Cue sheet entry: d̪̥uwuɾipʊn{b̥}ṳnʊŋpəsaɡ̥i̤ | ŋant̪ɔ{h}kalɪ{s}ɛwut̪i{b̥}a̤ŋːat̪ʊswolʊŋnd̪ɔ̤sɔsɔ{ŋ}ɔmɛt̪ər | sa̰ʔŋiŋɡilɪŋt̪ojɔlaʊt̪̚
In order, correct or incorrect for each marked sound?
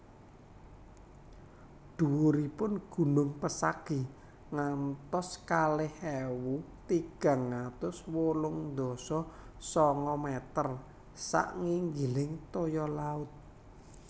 incorrect, incorrect, incorrect, incorrect, correct

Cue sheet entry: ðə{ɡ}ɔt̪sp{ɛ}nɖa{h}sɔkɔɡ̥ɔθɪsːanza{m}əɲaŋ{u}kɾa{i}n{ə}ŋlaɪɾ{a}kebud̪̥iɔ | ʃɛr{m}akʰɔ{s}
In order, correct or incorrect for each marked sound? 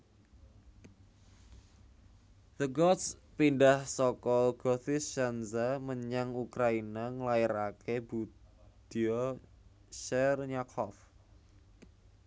correct, incorrect, correct, correct, correct, correct, incorrect, correct, incorrect, incorrect

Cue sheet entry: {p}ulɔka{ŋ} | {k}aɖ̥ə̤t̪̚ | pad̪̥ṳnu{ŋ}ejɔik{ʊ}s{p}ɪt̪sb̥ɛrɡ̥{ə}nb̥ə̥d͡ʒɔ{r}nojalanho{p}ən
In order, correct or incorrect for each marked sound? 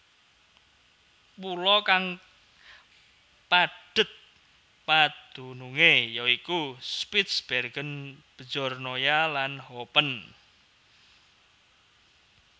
correct, correct, incorrect, correct, incorrect, correct, correct, correct, correct

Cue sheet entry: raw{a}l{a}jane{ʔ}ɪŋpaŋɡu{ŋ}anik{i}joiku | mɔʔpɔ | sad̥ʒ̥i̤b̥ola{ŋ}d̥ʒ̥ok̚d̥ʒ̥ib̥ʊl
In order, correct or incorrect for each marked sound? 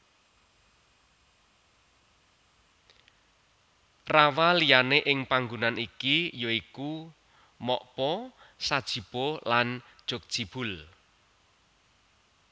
correct, incorrect, correct, incorrect, correct, incorrect

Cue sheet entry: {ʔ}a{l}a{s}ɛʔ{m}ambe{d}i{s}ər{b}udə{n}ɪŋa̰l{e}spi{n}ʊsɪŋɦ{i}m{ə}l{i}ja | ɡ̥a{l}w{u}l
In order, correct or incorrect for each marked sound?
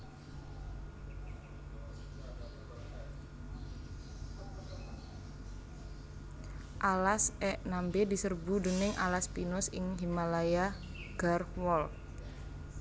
correct, correct, correct, incorrect, correct, correct, correct, correct, incorrect, correct, correct, incorrect, incorrect, incorrect, incorrect

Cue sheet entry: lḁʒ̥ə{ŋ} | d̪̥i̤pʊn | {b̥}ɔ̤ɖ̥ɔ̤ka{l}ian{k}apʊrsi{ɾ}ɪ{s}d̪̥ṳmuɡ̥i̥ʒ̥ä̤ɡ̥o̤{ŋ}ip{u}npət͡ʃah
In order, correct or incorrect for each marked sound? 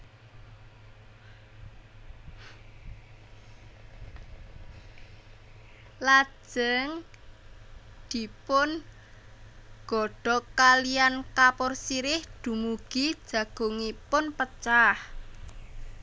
correct, incorrect, correct, correct, correct, incorrect, correct, incorrect

